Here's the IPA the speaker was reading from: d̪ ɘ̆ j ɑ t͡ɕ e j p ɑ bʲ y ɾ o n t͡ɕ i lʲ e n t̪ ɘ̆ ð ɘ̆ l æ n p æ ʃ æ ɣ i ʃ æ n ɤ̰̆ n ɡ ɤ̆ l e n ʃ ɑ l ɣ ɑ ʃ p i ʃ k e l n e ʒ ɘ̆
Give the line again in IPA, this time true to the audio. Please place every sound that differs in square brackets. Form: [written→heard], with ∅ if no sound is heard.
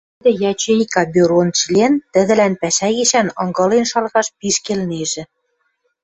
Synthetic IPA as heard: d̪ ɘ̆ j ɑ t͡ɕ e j [p→k] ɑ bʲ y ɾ o n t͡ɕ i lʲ e n t̪ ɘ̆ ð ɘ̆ l æ n p æ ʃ æ ɣ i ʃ æ n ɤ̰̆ [n→ŋ] ɡ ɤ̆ l e n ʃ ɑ l ɣ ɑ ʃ p i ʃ k e l n e ʒ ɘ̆